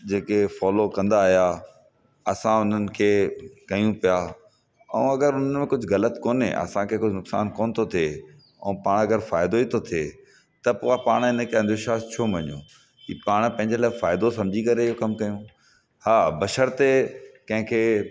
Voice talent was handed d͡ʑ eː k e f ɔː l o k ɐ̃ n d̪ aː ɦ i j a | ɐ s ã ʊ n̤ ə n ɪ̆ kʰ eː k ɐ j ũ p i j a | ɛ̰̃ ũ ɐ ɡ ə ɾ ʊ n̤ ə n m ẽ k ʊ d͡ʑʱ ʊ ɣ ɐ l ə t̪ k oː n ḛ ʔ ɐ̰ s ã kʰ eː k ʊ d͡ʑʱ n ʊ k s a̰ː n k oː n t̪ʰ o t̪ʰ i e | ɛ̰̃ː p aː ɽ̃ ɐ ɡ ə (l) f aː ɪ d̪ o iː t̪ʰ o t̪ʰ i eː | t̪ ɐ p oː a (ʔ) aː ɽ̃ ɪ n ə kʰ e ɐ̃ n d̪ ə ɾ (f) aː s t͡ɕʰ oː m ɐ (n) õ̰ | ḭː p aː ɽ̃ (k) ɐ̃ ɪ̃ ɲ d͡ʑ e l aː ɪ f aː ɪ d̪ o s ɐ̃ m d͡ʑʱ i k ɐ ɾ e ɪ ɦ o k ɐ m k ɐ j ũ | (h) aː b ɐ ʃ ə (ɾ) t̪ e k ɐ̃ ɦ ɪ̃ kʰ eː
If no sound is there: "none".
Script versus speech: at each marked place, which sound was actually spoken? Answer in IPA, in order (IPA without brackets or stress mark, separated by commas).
ɾ, p, ʃ, ɲ, p, h, ɾ